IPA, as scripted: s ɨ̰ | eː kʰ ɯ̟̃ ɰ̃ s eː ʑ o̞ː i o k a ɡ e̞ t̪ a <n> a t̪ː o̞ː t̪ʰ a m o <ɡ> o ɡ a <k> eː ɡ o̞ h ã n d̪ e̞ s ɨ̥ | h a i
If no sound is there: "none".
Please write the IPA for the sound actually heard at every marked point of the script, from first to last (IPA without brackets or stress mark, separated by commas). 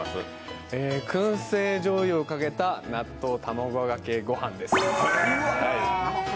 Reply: n, ɡ, k